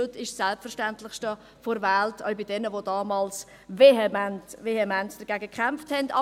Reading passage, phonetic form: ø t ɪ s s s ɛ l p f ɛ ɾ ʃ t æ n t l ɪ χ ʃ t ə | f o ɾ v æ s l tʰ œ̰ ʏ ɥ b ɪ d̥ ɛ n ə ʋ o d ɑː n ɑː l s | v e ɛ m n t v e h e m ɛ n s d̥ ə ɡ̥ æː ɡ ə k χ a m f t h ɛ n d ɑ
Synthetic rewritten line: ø t ɪ ʃ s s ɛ l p f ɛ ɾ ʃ t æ n t l ɪ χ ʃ t ə | f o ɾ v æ l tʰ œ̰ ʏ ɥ b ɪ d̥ ɛ n ə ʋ o d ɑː m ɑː l s | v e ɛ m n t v e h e m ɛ n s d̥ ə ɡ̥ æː ɡ ə k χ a m f t h ɛ n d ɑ